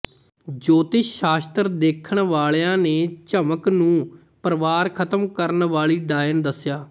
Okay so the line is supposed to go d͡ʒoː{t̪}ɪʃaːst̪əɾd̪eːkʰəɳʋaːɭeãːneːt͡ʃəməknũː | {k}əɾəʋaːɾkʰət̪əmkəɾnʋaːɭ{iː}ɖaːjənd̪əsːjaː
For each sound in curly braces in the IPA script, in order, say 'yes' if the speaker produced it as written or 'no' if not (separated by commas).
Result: yes, no, yes